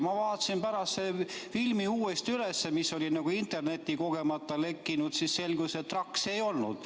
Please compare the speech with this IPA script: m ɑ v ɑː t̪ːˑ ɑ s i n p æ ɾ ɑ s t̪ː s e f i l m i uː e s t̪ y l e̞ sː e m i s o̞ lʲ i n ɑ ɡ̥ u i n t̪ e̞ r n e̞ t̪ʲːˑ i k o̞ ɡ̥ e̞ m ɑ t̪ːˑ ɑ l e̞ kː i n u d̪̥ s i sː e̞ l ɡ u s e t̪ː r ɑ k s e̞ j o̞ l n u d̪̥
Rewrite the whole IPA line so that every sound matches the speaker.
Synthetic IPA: m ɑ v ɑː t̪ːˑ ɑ s i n p æ ɾ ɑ s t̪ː s e f i l m i uː e s t̪ y l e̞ sː e m i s o̞ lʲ i n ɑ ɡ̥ u i n t̪ e̞ r n e̞ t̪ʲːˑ i k o̞ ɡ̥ e̞ m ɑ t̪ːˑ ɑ l e̞ kː i n u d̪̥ s i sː e̞ l ɡ u s e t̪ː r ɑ k s e̞ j o̞ l n u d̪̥